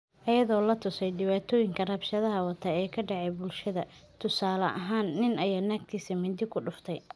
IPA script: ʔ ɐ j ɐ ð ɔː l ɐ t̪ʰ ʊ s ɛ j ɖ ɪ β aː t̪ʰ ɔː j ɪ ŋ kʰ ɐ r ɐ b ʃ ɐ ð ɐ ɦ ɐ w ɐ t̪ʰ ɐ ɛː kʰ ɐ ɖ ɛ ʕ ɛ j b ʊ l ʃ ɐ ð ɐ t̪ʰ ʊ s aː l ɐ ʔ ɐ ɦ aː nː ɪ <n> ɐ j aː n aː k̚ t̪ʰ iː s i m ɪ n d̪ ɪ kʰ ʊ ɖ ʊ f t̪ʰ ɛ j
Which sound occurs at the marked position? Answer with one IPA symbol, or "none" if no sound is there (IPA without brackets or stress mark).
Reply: n